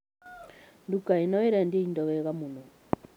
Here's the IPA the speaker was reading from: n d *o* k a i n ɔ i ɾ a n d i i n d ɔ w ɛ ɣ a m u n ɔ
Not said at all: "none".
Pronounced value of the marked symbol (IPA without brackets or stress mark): u